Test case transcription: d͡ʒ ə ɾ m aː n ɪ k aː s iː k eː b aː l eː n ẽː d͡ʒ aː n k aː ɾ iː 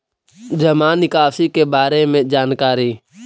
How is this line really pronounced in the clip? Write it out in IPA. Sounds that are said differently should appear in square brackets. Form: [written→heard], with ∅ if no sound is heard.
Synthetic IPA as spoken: d͡ʒ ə [ɾ→∅] m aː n ɪ k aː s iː k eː b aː [l→ɾ] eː [n→m] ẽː d͡ʒ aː n k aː ɾ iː